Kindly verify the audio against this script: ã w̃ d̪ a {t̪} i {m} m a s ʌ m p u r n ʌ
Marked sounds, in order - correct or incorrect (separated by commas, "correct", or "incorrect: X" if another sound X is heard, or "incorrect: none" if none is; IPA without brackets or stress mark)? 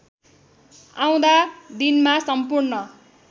incorrect: d̪, incorrect: n